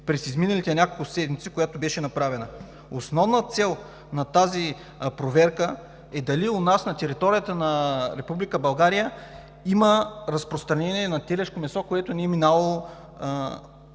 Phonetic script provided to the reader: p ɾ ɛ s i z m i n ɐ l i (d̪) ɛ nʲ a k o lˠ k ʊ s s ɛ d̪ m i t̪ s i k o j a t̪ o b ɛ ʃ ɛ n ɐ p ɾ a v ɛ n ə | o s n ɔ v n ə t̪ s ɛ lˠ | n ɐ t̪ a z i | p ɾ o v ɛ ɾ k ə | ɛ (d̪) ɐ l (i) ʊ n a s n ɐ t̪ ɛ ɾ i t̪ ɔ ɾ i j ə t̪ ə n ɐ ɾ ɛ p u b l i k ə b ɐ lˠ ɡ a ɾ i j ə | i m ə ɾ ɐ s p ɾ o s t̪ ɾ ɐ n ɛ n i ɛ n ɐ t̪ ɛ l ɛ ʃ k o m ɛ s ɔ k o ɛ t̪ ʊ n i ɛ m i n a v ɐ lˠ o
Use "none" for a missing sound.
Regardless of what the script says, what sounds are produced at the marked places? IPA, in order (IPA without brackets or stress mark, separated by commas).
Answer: t̪, d̪, i